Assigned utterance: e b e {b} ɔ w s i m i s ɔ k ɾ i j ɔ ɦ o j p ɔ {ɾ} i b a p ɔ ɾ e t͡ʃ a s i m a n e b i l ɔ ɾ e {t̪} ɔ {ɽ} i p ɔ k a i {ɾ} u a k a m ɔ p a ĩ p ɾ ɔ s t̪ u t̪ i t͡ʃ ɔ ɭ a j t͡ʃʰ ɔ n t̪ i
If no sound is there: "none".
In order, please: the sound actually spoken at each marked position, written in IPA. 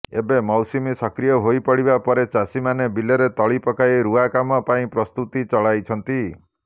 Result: m, ɽ, t̪, ɭ, ɾ

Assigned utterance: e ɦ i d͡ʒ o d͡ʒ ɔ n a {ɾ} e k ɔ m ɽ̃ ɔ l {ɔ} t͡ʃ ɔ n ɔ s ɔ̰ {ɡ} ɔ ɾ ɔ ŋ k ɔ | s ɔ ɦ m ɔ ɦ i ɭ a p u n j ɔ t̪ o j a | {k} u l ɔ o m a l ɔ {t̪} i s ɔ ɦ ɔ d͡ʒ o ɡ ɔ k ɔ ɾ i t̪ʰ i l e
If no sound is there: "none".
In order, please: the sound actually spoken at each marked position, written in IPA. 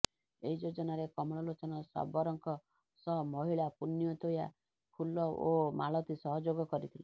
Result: ɾ, o, b, kʰ, t̪

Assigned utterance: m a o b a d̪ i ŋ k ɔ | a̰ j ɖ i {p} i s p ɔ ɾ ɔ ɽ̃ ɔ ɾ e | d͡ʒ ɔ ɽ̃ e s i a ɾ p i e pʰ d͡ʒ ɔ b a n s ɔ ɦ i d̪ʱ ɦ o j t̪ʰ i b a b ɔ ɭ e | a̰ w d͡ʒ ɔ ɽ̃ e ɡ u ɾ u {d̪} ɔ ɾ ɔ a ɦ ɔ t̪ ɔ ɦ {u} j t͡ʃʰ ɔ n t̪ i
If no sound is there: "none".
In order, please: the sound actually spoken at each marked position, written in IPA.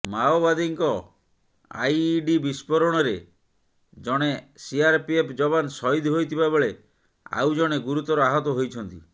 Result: b, t̪, o

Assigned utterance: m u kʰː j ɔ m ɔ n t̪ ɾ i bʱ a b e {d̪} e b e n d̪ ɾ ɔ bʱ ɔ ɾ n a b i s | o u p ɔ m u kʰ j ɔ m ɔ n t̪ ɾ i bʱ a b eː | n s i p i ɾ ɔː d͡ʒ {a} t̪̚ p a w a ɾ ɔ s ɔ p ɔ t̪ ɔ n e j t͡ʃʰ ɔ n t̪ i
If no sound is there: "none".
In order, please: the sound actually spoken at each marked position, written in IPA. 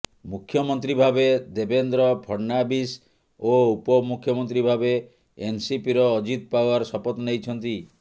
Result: d̪, i

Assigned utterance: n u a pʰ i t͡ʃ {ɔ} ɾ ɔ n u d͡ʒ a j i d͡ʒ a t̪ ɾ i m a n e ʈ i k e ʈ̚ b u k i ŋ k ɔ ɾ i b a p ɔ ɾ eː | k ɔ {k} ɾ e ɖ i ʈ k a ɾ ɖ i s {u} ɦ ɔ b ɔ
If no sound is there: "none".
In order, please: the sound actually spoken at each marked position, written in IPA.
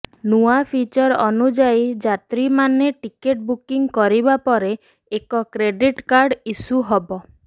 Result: ɔ, k, u

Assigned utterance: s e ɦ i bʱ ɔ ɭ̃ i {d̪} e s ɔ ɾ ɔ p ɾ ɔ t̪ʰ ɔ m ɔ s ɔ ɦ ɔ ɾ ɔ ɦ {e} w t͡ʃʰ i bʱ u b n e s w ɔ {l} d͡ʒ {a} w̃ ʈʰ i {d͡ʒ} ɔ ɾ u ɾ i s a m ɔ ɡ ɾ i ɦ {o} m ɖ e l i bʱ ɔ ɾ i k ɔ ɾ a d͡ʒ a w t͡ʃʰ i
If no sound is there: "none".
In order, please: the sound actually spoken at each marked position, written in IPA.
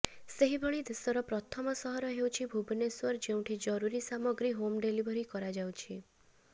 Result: d̪, e, ɾ, e, d͡ʒ, o

